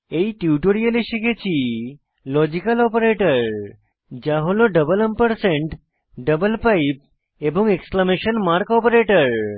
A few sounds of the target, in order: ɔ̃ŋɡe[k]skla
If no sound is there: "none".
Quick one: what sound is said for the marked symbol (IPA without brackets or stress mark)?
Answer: k